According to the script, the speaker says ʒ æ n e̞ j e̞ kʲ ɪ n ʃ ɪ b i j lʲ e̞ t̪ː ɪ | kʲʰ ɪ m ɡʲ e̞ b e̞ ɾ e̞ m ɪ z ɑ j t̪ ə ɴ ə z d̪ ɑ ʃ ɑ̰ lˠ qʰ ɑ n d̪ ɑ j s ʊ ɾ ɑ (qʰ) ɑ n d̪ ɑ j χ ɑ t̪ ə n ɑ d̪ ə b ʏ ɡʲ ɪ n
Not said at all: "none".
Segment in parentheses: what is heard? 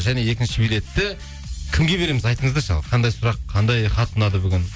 qʰ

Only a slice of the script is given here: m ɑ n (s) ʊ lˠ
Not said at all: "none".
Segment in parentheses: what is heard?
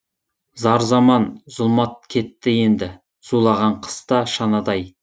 z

